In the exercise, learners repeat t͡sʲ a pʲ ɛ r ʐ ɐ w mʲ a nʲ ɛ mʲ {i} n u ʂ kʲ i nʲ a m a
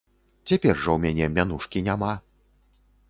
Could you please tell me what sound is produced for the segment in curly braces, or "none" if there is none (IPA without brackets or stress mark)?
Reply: a